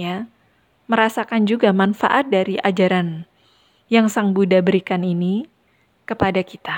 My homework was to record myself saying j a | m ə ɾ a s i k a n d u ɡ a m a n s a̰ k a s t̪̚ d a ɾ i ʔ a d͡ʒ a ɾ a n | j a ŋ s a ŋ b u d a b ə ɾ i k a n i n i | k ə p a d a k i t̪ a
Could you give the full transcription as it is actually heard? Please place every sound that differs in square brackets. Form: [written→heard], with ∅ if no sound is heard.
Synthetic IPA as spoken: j a | m ə ɾ a s [i→a] k a n [d→d͡ʒ] u ɡ a m a n [s→f] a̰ [k→ʔ] a [s→∅] t̪̚ d a ɾ i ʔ a d͡ʒ a ɾ a n | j a ŋ s a ŋ b u d a b ə ɾ i k a n i n i | k ə p a d a k i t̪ a